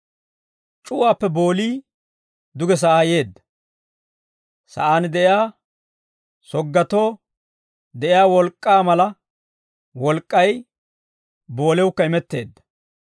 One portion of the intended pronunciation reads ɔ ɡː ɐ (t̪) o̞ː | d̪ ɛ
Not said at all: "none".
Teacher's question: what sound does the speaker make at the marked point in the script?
t̪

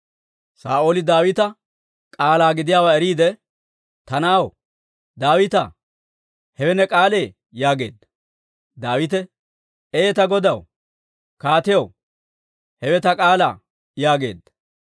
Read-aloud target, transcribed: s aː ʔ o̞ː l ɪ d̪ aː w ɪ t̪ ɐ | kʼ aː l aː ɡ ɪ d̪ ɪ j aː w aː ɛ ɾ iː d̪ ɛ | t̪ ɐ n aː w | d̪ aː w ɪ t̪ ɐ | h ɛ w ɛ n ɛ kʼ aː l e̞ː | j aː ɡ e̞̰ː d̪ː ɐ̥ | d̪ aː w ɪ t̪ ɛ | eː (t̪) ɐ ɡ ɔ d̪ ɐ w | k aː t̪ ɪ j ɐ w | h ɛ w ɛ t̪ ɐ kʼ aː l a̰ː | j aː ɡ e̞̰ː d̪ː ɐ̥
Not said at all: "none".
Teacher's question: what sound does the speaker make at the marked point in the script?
t̪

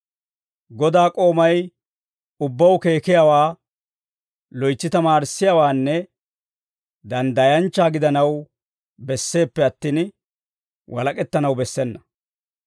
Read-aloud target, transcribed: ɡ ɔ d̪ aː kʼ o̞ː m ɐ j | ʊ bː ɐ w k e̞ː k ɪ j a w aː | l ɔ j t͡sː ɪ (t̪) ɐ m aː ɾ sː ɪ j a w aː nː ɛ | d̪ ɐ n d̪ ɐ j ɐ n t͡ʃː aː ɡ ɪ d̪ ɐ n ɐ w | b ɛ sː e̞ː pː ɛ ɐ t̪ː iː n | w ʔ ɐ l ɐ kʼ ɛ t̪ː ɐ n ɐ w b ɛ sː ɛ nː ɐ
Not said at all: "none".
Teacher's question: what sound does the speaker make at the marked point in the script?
t̪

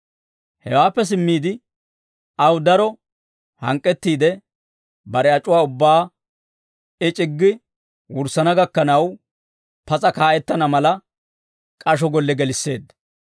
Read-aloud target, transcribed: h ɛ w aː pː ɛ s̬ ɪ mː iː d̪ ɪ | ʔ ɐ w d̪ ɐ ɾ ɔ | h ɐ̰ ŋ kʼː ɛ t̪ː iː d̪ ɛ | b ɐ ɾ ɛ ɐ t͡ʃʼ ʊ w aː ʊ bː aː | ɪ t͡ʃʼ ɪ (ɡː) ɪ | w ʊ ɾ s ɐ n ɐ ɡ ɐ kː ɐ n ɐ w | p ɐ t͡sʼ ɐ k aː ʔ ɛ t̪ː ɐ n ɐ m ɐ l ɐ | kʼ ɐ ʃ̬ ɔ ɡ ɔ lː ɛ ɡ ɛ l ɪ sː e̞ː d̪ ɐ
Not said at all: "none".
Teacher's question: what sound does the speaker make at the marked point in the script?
ɡː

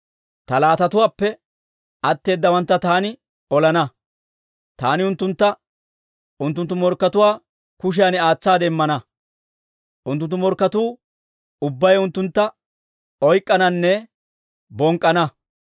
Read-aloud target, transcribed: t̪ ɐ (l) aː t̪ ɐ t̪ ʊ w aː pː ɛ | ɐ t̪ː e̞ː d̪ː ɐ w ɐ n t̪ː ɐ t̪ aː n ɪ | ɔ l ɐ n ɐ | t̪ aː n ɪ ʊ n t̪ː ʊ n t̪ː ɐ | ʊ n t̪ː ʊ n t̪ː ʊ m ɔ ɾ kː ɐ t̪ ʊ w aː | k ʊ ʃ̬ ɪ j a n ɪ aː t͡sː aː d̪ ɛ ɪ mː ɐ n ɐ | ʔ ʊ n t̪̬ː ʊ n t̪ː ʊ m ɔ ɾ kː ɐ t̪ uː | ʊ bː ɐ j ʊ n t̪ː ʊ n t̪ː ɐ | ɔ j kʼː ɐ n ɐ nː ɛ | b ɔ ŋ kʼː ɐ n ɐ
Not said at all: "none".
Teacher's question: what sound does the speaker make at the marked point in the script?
l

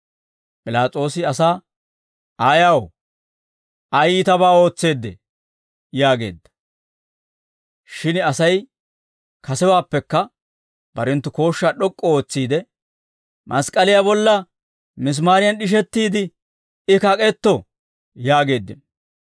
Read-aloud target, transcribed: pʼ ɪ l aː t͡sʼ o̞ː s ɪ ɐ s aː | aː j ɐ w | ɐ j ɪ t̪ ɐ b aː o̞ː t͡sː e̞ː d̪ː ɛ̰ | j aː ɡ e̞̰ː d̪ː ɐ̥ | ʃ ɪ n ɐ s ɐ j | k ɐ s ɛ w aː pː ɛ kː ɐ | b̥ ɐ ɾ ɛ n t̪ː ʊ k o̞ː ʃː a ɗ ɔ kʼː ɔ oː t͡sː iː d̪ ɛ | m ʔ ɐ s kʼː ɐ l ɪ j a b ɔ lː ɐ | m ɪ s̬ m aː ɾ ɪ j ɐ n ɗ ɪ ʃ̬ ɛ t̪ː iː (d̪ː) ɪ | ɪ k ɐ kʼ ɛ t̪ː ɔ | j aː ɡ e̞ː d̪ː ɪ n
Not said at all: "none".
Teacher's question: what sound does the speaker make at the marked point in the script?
d̪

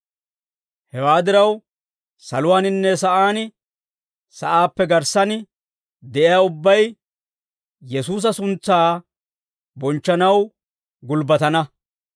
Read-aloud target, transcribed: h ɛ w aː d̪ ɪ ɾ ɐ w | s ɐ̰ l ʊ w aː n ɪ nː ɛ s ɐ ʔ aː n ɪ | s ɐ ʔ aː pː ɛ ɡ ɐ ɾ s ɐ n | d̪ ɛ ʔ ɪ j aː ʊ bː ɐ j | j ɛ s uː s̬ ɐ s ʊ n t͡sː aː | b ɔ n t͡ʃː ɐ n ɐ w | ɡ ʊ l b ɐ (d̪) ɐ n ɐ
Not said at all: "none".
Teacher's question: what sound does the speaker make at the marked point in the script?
t̪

